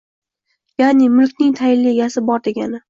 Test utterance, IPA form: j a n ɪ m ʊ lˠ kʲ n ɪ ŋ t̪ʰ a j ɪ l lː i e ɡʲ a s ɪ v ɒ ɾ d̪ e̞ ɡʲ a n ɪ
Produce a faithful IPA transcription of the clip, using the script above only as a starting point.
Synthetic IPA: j a n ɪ m ʊ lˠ kʲ n ɪ ŋ t̪ʰ a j ɪ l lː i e ɡʲ a s ɪ b ɒ ɾ d̪ e̞ ɡʲ a n ɪ